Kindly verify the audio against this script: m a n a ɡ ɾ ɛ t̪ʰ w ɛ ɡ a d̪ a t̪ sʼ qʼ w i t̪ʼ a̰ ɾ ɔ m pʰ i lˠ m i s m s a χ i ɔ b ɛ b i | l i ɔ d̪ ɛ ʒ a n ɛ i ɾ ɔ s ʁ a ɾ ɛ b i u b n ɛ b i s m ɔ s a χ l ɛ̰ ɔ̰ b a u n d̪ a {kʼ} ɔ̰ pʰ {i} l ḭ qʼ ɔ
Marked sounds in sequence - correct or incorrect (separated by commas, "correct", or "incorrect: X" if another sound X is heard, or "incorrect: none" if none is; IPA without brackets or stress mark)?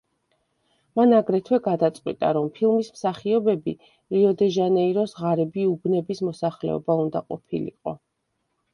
incorrect: qʼ, correct